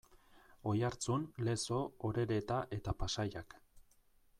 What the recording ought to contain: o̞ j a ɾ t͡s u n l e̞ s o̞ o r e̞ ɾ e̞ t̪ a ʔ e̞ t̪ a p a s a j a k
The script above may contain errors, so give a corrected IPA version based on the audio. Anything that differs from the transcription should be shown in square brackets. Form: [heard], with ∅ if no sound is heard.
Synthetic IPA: o̞ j a ɾ t͡s u n l e̞ s o̞ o [ɾ] e̞ ɾ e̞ t̪ a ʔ e̞ t̪ a p a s a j a k